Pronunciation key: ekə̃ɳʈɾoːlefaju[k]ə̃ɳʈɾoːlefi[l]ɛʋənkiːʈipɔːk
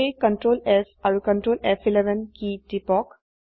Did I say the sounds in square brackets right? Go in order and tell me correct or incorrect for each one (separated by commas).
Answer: correct, correct